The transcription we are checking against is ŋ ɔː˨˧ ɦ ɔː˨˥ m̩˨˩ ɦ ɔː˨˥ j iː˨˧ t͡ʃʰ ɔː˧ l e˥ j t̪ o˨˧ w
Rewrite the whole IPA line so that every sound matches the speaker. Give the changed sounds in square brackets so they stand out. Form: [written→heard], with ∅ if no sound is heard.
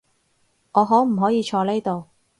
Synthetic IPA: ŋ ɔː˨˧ ɦ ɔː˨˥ m̩˨˩ ɦ ɔː˨˥ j iː˨˧ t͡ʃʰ ɔː˧ l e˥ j t̪ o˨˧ w